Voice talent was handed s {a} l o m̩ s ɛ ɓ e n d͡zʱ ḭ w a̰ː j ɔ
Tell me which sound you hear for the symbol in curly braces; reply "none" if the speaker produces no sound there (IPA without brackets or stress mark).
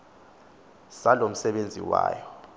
a